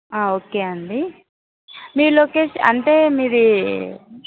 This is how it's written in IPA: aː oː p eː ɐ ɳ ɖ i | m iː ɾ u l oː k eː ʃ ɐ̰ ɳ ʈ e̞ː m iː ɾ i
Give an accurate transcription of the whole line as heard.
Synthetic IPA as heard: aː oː k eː ɐ ɳ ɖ i | m iː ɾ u l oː k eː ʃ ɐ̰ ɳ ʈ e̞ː m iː ɾ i